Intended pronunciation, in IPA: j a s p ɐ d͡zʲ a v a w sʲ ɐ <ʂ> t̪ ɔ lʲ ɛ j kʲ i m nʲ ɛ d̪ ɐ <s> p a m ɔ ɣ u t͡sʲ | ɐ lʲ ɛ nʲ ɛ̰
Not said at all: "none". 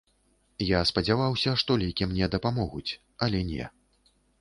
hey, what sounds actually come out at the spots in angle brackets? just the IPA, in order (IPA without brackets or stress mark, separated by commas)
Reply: ʂ, none